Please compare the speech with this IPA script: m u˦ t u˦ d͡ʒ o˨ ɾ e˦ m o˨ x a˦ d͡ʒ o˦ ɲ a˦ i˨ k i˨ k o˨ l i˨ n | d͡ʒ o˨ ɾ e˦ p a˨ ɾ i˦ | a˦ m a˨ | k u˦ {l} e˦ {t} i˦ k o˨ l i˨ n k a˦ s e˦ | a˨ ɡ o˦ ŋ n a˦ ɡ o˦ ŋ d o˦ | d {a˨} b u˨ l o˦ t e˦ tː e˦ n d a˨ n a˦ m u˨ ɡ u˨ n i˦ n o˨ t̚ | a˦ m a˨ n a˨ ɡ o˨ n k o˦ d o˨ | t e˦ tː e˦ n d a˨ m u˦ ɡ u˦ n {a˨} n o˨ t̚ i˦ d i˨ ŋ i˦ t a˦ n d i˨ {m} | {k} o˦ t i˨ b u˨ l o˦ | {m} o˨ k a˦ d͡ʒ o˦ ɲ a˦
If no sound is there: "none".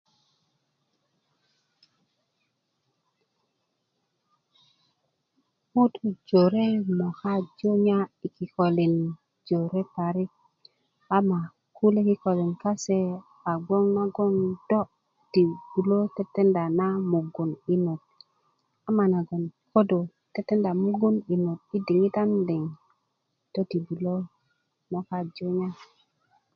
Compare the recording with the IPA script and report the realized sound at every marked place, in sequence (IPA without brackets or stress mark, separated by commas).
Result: l, k, i˨, i˨, ŋ, t, m